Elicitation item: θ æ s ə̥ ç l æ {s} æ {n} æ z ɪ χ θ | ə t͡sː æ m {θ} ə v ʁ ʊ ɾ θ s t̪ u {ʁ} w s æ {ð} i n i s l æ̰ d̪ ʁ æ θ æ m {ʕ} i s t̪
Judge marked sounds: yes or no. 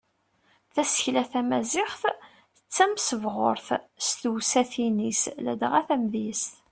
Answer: no, no, no, no, no, no

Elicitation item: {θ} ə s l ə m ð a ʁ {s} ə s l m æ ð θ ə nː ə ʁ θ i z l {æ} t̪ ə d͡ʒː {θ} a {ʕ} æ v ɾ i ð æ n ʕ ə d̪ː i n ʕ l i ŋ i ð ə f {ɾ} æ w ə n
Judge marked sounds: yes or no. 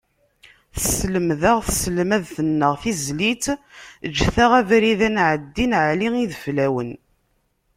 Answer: yes, no, no, yes, no, no

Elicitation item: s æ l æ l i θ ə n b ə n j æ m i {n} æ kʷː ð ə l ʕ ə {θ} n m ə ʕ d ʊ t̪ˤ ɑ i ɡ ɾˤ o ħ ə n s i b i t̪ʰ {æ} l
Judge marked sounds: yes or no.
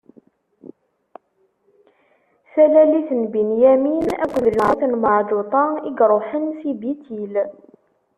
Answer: yes, yes, no

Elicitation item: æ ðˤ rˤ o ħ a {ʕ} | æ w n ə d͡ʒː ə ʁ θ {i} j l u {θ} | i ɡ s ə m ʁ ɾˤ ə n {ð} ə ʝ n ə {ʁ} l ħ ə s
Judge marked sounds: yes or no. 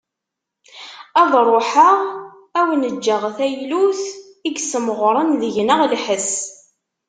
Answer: no, no, yes, yes, yes

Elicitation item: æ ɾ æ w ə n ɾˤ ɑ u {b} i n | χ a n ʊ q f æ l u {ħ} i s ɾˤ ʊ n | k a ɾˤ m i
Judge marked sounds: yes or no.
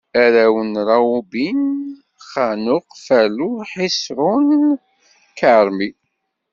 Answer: yes, yes

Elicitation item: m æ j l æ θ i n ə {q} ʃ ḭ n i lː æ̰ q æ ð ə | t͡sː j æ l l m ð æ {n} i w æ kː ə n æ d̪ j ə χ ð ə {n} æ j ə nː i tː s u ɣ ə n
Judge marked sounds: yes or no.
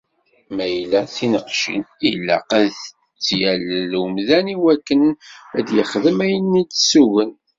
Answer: yes, yes, no

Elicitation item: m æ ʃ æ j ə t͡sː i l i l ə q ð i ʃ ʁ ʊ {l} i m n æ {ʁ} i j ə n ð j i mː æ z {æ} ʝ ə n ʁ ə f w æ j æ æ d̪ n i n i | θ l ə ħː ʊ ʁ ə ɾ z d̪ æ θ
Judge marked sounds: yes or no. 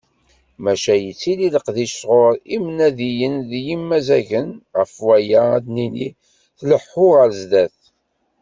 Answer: no, no, yes

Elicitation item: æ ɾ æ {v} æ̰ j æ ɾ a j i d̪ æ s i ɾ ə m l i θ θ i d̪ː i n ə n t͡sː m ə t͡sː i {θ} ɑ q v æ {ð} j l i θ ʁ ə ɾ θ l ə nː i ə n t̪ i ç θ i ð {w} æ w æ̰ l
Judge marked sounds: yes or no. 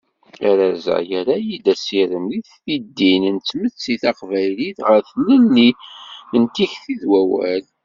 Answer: no, yes, no, yes

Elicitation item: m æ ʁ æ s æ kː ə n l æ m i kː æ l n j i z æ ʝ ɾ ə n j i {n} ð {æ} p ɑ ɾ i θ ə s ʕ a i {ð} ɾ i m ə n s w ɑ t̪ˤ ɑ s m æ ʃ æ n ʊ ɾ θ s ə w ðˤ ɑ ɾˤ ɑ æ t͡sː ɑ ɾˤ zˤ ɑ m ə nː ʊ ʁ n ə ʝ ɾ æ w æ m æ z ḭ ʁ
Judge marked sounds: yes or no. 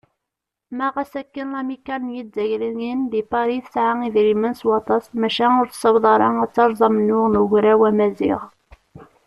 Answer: yes, no, yes

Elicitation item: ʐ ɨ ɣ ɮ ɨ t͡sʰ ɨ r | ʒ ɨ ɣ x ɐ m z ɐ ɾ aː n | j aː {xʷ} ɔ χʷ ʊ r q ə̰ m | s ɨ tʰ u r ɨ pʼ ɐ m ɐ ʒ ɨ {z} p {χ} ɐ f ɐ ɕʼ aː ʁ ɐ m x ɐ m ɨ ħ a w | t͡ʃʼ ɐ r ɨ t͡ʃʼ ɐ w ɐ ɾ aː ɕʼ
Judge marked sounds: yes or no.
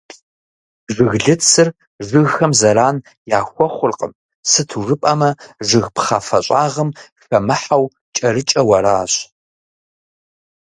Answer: yes, no, yes

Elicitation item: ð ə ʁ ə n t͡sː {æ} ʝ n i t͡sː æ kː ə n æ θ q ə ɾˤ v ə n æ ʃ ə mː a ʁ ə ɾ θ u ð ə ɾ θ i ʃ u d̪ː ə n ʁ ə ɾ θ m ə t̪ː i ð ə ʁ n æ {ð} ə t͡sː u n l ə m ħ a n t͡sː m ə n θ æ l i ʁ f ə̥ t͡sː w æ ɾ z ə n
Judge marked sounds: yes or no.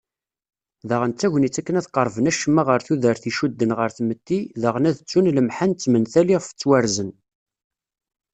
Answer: yes, yes

